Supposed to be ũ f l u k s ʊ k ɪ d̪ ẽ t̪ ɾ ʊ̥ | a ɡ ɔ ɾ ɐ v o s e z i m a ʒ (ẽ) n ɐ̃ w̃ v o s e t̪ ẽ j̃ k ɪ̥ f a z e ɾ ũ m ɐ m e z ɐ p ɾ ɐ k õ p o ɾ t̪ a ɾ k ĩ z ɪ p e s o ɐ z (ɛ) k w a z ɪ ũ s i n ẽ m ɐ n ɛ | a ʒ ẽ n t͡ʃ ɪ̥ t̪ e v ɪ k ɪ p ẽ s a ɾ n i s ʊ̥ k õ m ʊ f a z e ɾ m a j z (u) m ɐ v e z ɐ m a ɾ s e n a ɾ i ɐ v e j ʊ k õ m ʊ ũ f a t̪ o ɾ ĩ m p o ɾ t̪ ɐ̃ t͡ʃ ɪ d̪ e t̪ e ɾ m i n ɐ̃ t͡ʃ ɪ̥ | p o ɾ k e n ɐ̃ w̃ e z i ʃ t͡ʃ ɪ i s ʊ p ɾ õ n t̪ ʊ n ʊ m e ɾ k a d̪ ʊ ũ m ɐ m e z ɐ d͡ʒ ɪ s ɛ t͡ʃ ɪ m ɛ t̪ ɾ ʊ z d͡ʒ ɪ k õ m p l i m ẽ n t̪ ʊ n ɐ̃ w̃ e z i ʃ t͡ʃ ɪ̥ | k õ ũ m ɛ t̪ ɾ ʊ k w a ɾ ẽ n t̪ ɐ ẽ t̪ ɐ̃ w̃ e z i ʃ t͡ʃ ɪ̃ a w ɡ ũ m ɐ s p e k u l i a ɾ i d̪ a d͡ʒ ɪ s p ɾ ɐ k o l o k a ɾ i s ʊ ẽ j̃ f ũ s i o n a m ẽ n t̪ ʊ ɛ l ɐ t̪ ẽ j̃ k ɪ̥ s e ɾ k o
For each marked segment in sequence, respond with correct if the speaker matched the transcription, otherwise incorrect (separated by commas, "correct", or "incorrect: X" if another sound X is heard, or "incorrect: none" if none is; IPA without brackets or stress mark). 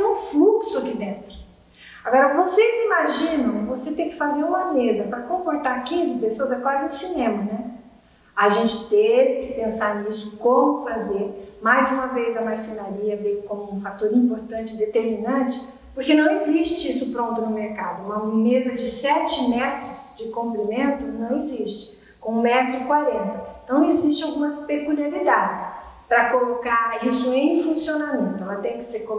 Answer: incorrect: ĩ, correct, incorrect: ũ